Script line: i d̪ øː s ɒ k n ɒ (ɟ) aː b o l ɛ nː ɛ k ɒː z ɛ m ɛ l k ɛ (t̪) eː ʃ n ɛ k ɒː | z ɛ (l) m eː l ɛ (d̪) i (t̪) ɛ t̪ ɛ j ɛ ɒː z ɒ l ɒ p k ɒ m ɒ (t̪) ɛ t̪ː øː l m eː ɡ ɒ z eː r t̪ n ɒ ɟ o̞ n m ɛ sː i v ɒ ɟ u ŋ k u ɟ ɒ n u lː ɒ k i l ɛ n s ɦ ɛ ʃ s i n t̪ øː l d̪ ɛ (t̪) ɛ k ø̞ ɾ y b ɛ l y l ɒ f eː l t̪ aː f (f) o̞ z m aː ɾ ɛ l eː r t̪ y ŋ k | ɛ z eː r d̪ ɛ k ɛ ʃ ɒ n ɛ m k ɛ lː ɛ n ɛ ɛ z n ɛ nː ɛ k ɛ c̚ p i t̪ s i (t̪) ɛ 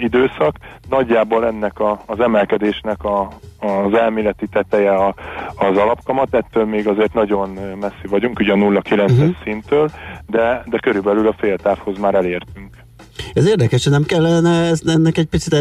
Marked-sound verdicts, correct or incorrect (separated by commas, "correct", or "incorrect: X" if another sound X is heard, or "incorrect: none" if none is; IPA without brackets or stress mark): incorrect: ɟː, incorrect: d̪, correct, incorrect: t̪, correct, correct, incorrect: d̪, incorrect: h, correct